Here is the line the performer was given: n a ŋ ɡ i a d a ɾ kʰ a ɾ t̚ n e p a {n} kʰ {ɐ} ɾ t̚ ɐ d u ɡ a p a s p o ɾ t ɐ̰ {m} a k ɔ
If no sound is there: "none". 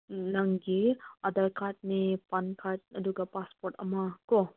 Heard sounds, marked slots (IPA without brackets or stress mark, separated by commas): n, a, m